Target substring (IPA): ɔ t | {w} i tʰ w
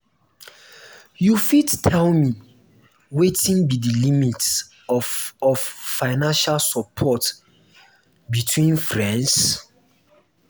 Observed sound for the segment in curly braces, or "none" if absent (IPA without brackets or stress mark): b